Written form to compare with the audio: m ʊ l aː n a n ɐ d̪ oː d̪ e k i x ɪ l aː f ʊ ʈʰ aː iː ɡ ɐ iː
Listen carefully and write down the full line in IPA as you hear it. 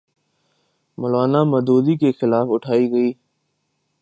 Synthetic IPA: m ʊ l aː n a m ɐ d̪ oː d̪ i k e x ɪ l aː f ʊ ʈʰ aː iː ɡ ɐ iː

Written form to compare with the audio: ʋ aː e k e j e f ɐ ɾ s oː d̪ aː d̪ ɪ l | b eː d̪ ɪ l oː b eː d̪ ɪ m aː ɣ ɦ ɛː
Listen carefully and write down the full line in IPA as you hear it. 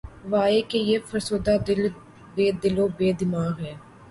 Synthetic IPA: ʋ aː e k e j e f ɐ ɾ s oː d̪ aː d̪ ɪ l | b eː d̪ ɪ l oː b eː d̪ ɪ m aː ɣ ɦ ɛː

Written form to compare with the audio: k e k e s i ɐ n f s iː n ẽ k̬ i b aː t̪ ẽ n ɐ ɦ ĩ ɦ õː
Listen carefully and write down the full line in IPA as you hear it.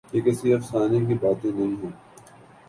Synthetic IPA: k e k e s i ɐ f s aː n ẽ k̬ i b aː t̪ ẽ n ɐ ɦ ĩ ɦ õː

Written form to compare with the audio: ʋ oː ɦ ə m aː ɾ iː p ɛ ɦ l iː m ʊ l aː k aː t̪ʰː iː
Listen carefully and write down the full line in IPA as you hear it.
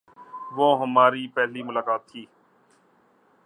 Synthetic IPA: ʋ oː ɦ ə m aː ɾ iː p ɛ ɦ l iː m ʊ l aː k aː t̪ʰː iː

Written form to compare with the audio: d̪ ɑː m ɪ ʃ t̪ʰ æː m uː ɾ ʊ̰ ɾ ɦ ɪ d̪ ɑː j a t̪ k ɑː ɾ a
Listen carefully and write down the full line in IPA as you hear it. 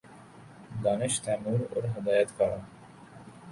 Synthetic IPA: d̪ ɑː n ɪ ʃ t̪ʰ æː m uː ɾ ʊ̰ ɾ ɦ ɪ d̪ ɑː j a t̪ k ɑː ɾ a

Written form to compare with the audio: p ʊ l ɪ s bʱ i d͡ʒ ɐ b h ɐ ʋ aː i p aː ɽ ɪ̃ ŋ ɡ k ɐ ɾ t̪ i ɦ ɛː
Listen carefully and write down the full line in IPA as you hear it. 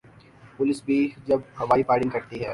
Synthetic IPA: p ʊ l ɪ s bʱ i d͡ʒ ɐ b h ɐ ʋ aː i p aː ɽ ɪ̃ ŋ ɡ k ɐ ɾ t̪ i ɦ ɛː

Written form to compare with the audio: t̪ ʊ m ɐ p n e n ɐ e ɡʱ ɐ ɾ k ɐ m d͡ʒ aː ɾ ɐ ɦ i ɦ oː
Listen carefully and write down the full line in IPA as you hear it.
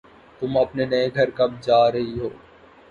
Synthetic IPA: t̪ ʊ m ɐ p n e n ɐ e ɡʱ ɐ ɾ k ɐ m d͡ʒ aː ɾ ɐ ɦ i ɦ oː

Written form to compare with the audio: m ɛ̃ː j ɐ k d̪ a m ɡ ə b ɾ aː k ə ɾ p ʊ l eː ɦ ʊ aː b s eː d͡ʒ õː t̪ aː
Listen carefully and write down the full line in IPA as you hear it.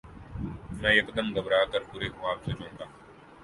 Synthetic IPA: m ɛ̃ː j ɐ k d̪ ə m ɡ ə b ɾ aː k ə ɾ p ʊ ɾ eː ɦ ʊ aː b s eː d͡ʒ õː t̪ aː

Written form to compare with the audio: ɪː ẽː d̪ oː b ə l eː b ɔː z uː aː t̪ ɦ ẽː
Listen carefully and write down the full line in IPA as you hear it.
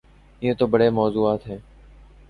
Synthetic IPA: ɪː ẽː t̪ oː b ə ɽ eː m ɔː z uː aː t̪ ɦ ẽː

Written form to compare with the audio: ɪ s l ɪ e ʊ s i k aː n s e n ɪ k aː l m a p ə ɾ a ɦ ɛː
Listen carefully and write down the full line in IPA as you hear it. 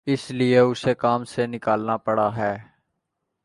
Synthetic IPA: ɪ s l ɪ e ʊ s e k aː m s e n ɪ k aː l n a p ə ɽ a ɦ ɛː

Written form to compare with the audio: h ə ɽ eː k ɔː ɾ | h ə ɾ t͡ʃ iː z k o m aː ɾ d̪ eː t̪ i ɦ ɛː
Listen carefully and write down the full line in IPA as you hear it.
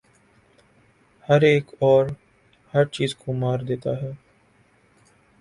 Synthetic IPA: h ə ɾ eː k ɔː ɾ | h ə ɾ t͡ʃ iː z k o m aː ɾ d̪ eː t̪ a ɦ ɛː

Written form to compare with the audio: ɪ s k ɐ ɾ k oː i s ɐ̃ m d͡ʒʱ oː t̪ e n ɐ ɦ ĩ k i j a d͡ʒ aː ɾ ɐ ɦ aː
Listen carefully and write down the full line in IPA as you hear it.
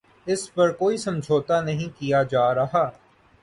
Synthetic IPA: ɪ s p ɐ ɾ k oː i s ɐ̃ m d͡ʒʱ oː t̪ a n ɐ ɦ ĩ k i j a d͡ʒ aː ɾ ɐ ɦ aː

